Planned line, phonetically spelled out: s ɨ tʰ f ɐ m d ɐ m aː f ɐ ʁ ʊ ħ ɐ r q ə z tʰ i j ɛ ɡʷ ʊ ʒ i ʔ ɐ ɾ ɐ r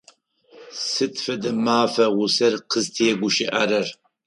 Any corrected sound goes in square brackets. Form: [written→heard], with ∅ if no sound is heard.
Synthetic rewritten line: s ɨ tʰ f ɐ [m→∅] d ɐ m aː f ɐ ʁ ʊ [ħ→s] ɐ r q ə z tʰ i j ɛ ɡʷ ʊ [ʒ→ʃ] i ʔ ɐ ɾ ɐ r